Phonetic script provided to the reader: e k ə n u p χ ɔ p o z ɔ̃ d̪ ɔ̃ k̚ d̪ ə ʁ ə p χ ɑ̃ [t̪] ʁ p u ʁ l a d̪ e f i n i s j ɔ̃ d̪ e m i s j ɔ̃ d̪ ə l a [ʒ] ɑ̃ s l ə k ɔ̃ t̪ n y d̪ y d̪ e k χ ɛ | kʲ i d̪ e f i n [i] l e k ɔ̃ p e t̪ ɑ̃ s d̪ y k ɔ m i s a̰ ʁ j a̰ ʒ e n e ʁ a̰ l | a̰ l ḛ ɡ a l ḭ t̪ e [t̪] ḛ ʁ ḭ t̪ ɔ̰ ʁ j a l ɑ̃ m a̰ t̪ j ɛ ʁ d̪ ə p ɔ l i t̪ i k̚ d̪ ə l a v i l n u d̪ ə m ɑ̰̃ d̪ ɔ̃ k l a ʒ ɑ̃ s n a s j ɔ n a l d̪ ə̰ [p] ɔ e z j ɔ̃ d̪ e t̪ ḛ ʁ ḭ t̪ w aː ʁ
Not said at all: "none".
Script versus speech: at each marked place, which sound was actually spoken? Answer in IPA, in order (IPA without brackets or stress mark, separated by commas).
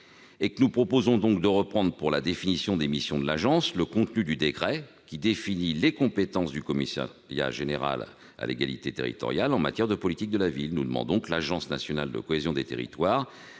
d̪, ʒ, i, t̪, k